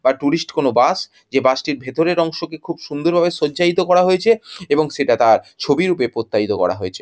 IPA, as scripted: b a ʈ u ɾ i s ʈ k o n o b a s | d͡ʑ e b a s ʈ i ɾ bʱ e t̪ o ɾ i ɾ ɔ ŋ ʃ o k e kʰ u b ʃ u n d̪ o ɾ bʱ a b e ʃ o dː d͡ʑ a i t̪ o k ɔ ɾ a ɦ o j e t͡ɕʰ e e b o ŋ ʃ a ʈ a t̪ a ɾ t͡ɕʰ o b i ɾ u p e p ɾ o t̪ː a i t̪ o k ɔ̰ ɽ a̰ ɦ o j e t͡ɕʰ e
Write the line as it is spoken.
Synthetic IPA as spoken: b a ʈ u ɾ i s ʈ k o n o b a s | d͡ʑ e b a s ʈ i ɾ bʱ e t̪ o ɾ e ɾ ɔ ŋ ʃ o k e kʰ u b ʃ u n d̪ o ɾ bʱ a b e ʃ o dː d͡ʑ a i t̪ o k ɔ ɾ a ɦ o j e t͡ɕʰ e e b o ŋ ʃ e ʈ a t̪ a ɾ t͡ɕʰ o b i ɾ u p e p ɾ o t̪ː a i t̪ o k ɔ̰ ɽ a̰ ɦ o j e t͡ɕʰ e